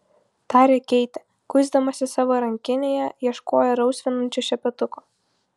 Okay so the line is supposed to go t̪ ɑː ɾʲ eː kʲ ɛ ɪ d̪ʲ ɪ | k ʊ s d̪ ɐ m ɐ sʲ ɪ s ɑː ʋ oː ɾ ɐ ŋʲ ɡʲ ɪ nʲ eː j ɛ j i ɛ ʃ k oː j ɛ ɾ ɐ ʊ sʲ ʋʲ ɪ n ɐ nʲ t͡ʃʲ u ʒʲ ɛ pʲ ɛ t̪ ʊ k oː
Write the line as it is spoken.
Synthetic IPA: t̪ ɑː ɾʲ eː kʲ ɛ ɪ t̪ʲ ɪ | k ʊ z d̪ ɐ m ɐ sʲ ɪ s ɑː ʋ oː ɾ ɐ ŋʲ kʲ ɪ nʲ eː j ɛ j i ɛ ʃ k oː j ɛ ɾ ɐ ʊ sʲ ʋʲ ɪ n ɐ nʲ t͡ʃʲ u ʃʲ ɛ pʲ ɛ t̪ ʊ k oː